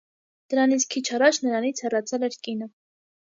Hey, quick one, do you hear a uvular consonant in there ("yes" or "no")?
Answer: no